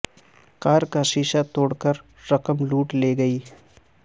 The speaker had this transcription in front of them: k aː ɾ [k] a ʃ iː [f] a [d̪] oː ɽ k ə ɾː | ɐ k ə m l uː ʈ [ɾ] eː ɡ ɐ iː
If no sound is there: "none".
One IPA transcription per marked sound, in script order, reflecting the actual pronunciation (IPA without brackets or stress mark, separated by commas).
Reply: k, ʃ, t̪, l